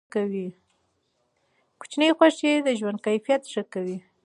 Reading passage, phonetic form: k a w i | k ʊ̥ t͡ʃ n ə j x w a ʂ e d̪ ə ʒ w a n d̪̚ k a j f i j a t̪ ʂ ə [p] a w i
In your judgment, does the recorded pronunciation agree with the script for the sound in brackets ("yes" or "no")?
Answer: no